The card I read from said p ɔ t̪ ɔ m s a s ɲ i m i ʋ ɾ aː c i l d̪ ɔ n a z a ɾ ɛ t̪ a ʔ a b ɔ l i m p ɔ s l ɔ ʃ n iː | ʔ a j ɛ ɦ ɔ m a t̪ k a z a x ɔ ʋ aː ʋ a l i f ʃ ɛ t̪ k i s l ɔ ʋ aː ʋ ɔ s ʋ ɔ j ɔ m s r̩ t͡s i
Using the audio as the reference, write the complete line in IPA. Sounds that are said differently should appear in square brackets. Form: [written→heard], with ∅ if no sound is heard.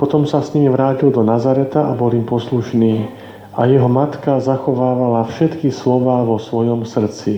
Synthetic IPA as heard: p ɔ t̪ ɔ m s a s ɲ i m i ʋ ɾ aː c i l d̪ ɔ n a z a ɾ ɛ t̪ a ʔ a b ɔ l i m p ɔ s l [ɔ→u] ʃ n iː | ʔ a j ɛ ɦ ɔ m a t̪ k a z a x ɔ ʋ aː ʋ a l [i→a] f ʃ ɛ t̪ k i s l ɔ ʋ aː ʋ ɔ s ʋ ɔ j ɔ m s r̩ t͡s i